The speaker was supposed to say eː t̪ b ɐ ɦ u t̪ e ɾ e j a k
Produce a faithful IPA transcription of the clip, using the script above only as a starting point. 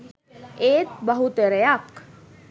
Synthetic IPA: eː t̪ b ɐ ɦ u t̪ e ɾ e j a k